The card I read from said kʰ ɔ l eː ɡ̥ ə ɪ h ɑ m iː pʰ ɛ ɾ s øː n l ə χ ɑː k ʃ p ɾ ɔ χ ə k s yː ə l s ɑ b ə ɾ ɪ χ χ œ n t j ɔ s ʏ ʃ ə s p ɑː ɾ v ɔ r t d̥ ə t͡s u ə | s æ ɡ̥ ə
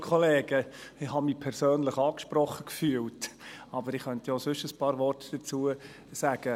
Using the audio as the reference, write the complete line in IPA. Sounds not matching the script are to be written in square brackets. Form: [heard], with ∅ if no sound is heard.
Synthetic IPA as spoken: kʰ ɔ l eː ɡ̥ ə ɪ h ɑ m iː pʰ ɛ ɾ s øː n l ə χ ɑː k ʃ p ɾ ɔ χ ə k [f] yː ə l [t] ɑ b ə ɾ ɪ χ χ œ n t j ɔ s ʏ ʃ ə s p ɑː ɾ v ɔ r t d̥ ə t͡s u ə | s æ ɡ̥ ə